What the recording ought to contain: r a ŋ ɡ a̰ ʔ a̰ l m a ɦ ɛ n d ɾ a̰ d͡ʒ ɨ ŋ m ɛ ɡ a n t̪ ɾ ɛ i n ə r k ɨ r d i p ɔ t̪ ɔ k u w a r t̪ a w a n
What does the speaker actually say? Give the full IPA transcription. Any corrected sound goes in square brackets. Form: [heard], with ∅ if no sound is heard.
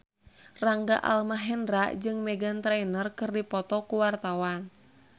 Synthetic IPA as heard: r a ŋ ɡ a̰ ʔ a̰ l m a ɦ ɛ n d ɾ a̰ d͡ʒ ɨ ŋ m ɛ ɡ a n t̪ ɾ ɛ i n ə r k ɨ r d i p ɔ t̪ ɔ k u w a r t̪ a w a n

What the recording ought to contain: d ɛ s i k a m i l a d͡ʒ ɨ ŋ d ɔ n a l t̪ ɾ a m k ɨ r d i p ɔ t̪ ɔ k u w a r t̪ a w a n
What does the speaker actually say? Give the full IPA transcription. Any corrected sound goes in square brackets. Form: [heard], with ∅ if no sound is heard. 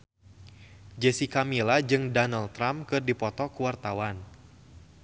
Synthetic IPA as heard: [d͡ʒ] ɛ s i k a m i l a d͡ʒ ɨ ŋ d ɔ n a l t̪ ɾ a m k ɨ r d i p ɔ t̪ ɔ k u w a r t̪ a w a n

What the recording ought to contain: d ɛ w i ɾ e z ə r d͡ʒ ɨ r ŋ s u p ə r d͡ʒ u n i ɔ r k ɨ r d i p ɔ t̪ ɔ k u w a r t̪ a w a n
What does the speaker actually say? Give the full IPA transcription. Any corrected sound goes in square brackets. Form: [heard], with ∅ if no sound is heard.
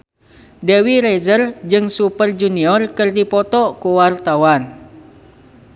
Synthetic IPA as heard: d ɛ w i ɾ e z ə r d͡ʒ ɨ [∅] ŋ s u p ə r d͡ʒ u n i ɔ r k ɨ r d i p ɔ t̪ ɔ k u w a r t̪ a w a n

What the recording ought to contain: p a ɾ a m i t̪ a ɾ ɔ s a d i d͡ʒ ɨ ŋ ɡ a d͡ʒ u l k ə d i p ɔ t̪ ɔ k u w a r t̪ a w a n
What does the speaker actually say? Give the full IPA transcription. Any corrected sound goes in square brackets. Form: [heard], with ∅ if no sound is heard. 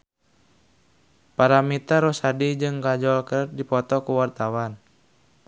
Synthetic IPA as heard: p a ɾ a m i t̪ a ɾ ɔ s a d i d͡ʒ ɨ ŋ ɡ a d͡ʒ [ɔ] l k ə d i p ɔ t̪ ɔ k u w a r t̪ a w a n

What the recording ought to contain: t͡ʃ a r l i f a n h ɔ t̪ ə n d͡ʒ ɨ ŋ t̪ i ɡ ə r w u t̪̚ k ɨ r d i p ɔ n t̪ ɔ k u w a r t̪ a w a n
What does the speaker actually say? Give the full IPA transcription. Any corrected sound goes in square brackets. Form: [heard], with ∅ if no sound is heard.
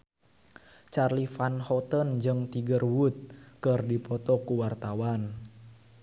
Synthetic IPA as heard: t͡ʃ a r l i f a n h ɔ t̪ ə n d͡ʒ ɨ ŋ t̪ i ɡ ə r w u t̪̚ k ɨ r d i p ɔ [∅] t̪ ɔ k u w a r t̪ a w a n

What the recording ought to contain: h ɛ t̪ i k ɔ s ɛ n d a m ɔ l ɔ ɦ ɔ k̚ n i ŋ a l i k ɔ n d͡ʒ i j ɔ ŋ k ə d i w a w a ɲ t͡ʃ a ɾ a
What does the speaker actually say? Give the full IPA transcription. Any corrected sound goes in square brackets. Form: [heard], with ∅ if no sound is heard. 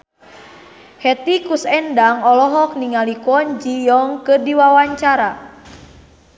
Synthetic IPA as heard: h ɛ t̪ i k [u] s ɛ n d a [ŋ] ɔ l ɔ ɦ ɔ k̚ n i ŋ a l i k ɔ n d͡ʒ i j ɔ ŋ k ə d i w a w a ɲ t͡ʃ a ɾ a

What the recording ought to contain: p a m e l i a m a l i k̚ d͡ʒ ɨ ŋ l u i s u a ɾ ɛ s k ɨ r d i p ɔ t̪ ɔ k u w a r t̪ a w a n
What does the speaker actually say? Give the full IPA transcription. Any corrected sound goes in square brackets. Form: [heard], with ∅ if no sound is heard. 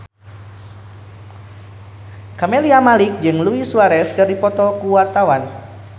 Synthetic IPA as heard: [k] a m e l i a m a l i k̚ d͡ʒ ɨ ŋ l u i s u a ɾ ɛ s k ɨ r d i p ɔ t̪ ɔ k u w a r t̪ a w a n

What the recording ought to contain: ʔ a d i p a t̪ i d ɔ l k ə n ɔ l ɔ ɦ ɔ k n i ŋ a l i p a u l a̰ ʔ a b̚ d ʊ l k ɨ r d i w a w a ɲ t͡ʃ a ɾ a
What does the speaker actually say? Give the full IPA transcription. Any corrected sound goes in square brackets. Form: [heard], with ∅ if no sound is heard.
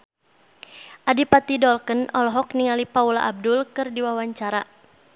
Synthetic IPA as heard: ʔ a d i p a t̪ i d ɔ l k ə n ɔ l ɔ ɦ ɔ k n i ŋ a l i p a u l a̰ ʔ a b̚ d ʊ l k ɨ r d i w a w a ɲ t͡ʃ a ɾ a

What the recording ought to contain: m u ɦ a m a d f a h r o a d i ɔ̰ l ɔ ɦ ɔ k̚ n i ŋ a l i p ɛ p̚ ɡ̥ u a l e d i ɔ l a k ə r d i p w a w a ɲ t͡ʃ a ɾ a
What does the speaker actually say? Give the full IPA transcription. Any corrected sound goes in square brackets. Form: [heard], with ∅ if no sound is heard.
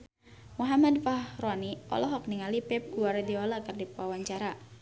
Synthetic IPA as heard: m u ɦ a m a d f a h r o a [n] i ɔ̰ l ɔ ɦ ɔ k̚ n i ŋ a l i p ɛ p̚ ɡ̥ u a [ɾ] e d i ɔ l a k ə r d i p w a w a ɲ t͡ʃ a ɾ a

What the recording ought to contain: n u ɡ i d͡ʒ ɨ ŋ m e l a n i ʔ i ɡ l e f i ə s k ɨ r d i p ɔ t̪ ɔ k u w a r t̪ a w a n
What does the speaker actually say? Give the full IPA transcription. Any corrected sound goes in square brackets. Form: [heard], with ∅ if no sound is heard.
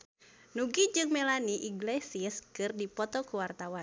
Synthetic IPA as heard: n u ɡ i d͡ʒ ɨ ŋ m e l a n i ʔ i ɡ l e [s] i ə s k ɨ r d i p ɔ t̪ ɔ k u w a r t̪ a w a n

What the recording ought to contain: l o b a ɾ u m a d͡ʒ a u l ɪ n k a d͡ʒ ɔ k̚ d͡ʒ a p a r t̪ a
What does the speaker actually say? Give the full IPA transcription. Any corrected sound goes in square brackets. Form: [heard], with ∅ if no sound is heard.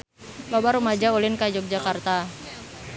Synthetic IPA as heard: l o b a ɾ u m a d͡ʒ a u l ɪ n k a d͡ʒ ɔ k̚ d͡ʒ a [k] a r t̪ a

